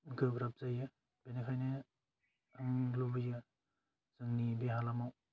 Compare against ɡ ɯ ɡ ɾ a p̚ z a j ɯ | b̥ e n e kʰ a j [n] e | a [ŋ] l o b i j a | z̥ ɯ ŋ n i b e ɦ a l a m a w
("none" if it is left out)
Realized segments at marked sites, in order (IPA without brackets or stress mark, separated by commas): n, ŋ